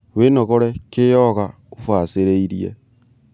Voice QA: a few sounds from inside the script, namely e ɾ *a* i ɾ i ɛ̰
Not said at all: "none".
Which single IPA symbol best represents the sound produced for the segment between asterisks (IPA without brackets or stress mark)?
e